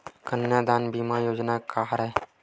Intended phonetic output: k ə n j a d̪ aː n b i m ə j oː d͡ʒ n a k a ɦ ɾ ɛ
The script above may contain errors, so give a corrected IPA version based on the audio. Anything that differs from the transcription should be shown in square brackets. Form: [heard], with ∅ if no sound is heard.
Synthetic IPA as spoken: k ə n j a d̪ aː n b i m [a] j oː d͡ʒ n a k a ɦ ɾ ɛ